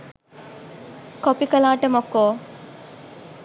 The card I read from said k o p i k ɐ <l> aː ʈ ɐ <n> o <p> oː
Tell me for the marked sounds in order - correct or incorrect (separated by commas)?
correct, incorrect, incorrect